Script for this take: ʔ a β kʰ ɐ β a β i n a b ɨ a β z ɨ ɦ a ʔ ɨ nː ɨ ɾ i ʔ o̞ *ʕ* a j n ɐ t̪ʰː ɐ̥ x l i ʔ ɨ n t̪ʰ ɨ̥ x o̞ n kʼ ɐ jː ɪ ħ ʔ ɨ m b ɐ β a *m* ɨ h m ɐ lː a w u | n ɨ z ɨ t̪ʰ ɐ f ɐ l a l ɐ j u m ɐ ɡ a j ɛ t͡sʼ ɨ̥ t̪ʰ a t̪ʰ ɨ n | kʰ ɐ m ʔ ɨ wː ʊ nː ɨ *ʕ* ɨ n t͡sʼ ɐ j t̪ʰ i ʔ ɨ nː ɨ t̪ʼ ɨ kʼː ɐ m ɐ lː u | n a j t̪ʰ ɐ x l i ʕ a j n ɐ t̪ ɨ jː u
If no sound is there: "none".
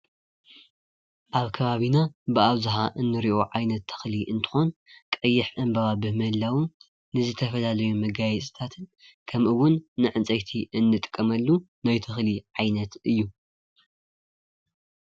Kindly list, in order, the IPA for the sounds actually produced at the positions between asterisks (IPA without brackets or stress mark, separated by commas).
ʕ, b, ʕ